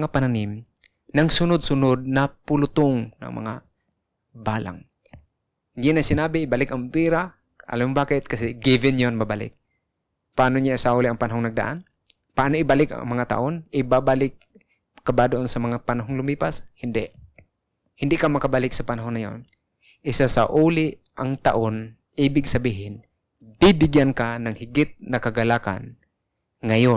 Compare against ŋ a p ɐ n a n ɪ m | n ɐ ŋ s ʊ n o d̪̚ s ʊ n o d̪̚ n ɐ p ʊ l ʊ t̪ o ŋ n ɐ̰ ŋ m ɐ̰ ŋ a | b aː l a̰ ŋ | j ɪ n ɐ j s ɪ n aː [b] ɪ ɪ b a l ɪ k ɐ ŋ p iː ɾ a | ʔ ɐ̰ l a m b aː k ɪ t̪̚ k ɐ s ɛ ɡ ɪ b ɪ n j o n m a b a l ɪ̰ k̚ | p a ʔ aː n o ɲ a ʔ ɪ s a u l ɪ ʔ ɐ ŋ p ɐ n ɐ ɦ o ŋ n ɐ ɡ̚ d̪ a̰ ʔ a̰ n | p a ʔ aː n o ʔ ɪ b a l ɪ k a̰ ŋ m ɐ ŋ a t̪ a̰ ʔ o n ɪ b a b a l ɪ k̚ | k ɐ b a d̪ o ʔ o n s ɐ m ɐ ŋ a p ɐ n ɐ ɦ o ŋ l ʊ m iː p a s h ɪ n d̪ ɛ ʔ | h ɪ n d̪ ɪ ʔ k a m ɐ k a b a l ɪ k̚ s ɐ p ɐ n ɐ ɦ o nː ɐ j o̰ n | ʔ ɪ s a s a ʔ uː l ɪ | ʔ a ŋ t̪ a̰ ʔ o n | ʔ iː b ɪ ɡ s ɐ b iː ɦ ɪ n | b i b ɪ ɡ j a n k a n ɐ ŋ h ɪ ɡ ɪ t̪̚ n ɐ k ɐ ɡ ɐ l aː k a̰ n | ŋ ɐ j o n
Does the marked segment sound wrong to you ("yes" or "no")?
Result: no